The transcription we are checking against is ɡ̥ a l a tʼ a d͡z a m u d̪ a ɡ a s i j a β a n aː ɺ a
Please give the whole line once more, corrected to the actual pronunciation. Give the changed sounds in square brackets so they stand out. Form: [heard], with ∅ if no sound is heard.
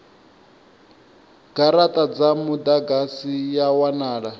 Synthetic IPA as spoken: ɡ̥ a [ɾ] a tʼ a d͡z a m u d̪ a ɡ a s i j a [w] a n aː ɺ a